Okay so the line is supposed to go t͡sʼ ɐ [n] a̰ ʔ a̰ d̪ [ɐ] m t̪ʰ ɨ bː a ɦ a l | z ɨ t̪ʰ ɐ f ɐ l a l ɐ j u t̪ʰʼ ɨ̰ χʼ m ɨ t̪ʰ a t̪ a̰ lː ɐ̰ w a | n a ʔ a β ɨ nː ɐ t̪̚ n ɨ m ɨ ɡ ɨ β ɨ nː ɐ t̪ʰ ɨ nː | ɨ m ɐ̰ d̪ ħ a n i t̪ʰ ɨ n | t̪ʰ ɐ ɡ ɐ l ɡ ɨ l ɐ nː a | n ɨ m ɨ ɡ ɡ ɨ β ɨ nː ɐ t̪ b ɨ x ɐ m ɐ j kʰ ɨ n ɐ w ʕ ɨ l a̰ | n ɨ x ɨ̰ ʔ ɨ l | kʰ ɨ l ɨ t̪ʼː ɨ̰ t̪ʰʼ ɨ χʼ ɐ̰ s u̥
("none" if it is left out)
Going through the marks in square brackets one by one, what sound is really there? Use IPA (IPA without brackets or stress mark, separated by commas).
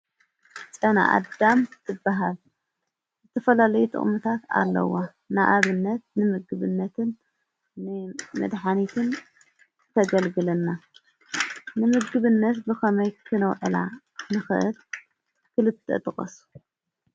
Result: n, a